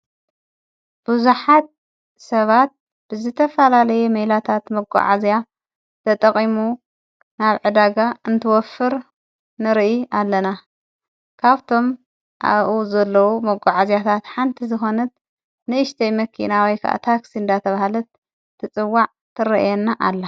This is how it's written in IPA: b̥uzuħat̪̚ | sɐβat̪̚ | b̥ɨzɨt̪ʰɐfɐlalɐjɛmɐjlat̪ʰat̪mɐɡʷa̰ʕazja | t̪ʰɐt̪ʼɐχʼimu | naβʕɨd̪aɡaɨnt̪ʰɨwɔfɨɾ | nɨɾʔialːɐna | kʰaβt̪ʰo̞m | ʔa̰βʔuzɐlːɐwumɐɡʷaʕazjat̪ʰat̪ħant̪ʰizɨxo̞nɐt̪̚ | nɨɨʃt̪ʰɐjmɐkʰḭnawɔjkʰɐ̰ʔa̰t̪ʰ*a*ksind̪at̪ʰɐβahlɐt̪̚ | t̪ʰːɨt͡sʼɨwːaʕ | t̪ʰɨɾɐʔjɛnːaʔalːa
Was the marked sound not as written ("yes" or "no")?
no